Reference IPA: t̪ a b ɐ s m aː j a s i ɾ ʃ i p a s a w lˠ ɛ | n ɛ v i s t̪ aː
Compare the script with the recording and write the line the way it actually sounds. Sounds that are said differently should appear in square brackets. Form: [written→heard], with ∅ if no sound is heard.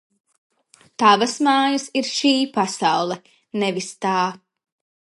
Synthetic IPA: t̪ a [b→v] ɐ s m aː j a s i ɾ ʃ [i→iː] p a s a w lˠ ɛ | n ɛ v i s t̪ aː